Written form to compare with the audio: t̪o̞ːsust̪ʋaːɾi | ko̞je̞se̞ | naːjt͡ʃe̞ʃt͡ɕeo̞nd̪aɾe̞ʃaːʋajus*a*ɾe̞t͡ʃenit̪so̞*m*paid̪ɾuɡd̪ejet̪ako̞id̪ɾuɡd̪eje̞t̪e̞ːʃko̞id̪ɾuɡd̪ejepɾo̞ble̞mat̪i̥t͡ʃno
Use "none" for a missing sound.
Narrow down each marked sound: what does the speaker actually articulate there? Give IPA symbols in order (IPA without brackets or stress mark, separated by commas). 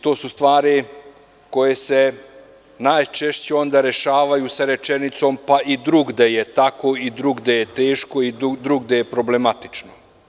a, m